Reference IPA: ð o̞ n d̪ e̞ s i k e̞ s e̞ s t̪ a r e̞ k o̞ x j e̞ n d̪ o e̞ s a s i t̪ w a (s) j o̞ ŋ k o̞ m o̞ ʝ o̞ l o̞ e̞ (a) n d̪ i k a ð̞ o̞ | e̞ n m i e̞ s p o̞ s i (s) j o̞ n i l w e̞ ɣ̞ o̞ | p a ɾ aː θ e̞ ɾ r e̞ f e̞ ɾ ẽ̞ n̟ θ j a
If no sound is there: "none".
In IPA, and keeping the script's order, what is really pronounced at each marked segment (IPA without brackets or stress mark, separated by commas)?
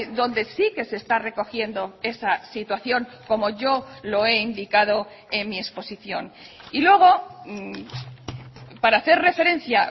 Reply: θ, i, θ